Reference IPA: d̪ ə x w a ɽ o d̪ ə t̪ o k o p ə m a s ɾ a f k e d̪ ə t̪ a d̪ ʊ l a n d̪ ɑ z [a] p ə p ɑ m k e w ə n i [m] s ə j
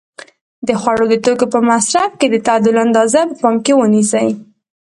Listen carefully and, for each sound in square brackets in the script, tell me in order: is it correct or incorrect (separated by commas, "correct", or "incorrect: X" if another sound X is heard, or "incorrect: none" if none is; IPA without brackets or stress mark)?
correct, incorrect: none